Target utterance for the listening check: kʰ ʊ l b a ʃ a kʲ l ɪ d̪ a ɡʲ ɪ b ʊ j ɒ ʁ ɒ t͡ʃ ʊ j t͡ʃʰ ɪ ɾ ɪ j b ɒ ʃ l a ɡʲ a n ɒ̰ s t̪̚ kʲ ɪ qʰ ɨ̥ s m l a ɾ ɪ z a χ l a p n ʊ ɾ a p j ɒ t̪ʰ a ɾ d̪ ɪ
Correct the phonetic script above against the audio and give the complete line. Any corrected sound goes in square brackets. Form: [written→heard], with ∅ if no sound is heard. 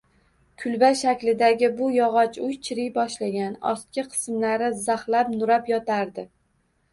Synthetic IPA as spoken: kʰ ʊ l b a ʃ a kʲ l ɪ d̪ a ɡʲ ɪ b ʊ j ɒ ʁ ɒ t͡ʃ ʊ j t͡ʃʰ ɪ ɾ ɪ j b ɒ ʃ l a ɡʲ a n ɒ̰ s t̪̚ kʲ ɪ qʰ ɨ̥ s m l a ɾ ɪ z a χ l a p n ʊ ɾ a p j ɒ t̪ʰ a ɾ d̪ ɪ